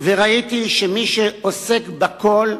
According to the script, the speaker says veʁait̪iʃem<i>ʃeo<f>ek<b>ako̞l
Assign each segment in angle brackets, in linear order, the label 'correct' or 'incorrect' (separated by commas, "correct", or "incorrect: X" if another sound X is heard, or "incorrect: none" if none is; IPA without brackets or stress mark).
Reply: correct, incorrect: s, correct